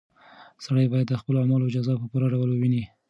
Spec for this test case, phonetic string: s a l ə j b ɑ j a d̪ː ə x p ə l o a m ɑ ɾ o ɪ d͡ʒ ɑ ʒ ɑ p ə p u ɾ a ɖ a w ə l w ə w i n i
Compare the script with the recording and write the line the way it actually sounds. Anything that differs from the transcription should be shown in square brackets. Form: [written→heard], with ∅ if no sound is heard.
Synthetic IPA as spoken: s a [l→ɽ] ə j b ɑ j a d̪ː ə x p ə l o a m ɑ [ɾ→l] o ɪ d͡ʒ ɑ [ʒ→z] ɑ p ə p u ɾ a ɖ a w ə l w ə w i n i